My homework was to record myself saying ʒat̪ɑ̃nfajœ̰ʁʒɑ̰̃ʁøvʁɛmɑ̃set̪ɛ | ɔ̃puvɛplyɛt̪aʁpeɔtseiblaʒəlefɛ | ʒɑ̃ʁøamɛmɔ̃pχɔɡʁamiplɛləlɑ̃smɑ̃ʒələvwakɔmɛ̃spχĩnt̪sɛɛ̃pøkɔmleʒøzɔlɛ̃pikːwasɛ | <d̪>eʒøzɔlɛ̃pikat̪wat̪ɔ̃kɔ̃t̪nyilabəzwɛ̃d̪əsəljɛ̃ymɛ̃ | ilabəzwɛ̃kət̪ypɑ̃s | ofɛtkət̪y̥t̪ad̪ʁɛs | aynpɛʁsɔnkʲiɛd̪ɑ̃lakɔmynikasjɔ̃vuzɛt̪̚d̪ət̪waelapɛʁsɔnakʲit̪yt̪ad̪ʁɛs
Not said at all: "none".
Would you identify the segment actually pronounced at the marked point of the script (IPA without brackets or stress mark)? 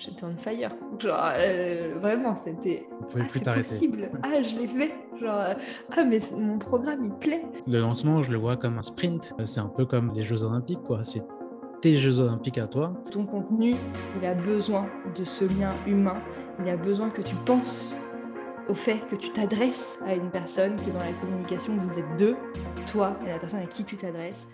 t̪